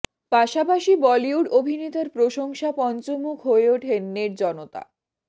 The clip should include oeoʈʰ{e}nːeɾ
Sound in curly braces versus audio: correct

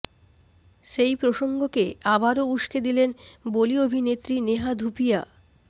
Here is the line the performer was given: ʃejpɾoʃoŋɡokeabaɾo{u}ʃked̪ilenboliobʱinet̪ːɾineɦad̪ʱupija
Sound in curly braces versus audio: correct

